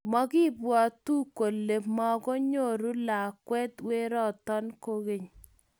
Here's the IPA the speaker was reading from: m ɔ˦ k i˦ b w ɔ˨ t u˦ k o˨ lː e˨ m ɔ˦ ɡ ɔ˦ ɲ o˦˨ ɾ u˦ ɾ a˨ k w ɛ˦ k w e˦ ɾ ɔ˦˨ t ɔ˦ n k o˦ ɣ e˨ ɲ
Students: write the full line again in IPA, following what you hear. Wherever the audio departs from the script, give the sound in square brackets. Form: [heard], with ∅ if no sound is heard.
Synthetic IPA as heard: m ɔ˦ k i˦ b w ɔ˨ t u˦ k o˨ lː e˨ m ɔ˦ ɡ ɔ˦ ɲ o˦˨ ɾ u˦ [l] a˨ k w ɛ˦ [t] w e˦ ɾ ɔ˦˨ t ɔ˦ n k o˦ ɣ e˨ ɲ

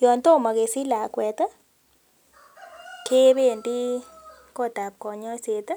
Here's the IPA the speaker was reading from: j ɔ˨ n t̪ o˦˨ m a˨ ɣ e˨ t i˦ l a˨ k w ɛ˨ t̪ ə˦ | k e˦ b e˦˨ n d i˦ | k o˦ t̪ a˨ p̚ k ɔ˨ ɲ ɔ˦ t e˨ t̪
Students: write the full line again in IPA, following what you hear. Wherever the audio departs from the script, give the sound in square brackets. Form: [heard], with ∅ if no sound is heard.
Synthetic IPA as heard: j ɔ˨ n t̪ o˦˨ m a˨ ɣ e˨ [s] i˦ l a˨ k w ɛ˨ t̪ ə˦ | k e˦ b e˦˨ n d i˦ | k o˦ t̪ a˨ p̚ k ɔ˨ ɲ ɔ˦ [s] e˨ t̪

